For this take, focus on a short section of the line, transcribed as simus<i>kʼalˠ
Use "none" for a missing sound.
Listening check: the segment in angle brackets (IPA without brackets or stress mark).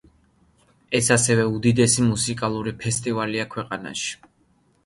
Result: i